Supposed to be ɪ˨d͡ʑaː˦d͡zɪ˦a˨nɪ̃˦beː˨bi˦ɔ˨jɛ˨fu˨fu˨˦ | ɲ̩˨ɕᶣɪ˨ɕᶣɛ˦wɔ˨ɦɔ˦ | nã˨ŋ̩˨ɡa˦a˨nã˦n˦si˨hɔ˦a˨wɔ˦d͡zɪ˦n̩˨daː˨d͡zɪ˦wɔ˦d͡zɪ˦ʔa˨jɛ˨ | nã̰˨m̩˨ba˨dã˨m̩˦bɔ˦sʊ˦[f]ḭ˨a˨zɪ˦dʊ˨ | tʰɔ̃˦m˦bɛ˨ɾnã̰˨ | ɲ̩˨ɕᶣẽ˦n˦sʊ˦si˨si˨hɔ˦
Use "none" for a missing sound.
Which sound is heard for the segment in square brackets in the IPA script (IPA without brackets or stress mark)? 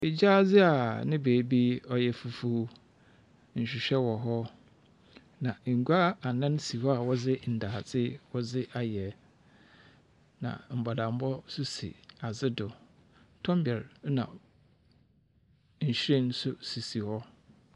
s